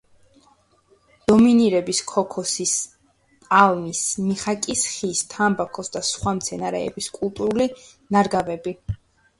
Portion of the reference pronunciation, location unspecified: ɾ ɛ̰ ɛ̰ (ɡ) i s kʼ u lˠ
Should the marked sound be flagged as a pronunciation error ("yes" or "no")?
yes